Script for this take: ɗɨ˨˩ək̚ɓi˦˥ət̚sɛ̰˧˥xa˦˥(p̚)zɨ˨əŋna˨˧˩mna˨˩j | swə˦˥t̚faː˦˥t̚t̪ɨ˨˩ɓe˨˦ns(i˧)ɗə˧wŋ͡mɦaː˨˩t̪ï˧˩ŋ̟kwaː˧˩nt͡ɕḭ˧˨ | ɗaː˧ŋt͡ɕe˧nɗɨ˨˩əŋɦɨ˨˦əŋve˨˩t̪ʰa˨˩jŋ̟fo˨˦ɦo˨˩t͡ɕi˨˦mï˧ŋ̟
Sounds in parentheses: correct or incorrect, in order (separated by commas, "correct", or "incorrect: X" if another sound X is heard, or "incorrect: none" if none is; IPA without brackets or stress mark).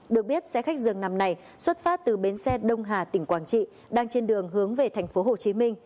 incorrect: k̚, incorrect: ɛ˧